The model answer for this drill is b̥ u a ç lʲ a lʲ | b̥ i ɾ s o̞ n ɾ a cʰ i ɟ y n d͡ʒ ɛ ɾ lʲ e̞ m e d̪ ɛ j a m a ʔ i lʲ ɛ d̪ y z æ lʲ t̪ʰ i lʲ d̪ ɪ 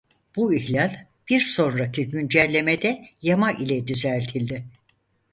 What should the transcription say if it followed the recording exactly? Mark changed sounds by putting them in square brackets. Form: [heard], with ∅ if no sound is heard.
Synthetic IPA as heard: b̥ u [i] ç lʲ a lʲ | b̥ i ɾ s o̞ n ɾ a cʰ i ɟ y n d͡ʒ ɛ ɾ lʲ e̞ m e d̪ ɛ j a m a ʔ i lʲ ɛ d̪ y z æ lʲ t̪ʰ i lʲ d̪ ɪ